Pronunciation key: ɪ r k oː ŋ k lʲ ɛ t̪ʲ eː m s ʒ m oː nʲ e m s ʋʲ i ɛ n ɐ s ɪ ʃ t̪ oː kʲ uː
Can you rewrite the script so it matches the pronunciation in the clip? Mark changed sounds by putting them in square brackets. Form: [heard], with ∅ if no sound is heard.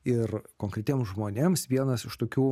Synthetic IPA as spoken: ɪ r k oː ŋ k [ɾʲ] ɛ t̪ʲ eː m s ʒ m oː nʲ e m s ʋʲ i ɛ n ɐ s ɪ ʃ t̪ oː kʲ uː